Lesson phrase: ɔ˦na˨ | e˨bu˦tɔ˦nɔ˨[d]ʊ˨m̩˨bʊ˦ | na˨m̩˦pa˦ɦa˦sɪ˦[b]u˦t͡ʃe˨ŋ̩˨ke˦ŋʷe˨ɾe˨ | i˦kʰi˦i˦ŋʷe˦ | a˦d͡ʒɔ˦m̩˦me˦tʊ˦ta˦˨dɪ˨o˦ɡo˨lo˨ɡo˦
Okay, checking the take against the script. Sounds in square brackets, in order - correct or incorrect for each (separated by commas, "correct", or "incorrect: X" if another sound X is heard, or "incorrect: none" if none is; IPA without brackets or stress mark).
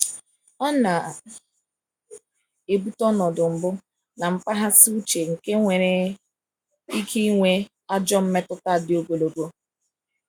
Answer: correct, incorrect: none